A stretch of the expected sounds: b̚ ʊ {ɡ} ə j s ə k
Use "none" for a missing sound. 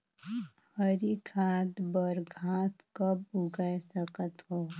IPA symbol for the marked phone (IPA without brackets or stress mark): ɡ